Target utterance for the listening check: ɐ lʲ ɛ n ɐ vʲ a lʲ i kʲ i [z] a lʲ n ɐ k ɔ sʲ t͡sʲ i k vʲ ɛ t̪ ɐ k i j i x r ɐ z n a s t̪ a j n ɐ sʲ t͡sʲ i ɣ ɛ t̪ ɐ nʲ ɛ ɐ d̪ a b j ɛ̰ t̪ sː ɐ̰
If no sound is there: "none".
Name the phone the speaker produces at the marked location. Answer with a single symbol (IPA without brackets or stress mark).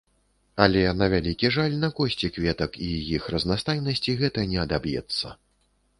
ʐ